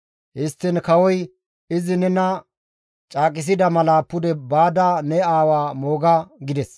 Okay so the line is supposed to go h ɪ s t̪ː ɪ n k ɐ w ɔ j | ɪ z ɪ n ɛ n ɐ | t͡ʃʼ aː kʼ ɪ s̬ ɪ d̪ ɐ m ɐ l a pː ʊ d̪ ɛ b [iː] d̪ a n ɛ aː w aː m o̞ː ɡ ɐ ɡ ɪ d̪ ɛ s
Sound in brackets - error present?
yes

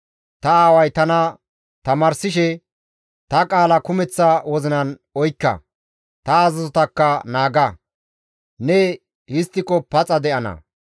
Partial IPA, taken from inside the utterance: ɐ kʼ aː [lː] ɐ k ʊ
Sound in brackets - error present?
yes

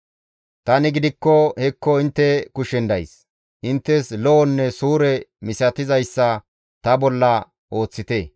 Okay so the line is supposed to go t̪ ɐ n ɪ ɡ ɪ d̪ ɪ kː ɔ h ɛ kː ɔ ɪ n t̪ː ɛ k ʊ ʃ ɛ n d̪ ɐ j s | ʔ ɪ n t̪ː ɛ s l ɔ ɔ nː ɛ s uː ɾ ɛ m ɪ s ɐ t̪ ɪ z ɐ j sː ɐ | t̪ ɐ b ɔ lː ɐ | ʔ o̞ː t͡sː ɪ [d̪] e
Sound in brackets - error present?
yes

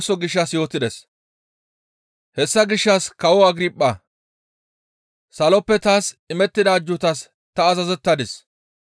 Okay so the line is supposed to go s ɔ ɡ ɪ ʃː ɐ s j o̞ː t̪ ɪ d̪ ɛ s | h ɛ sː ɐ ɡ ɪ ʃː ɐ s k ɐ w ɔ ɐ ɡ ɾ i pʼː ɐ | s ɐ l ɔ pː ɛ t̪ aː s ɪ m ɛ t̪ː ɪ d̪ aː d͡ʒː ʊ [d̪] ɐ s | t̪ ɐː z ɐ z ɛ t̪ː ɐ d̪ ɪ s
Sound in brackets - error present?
yes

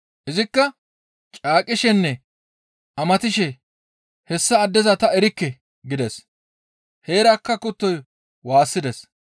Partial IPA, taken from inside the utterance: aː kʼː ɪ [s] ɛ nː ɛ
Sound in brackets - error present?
yes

